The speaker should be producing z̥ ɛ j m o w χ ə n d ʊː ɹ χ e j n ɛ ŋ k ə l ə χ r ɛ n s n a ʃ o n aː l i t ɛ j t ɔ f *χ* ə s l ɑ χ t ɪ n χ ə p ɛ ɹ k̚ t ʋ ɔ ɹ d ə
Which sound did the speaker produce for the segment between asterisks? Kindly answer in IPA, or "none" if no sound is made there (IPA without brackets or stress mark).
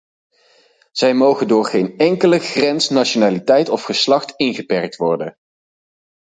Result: χ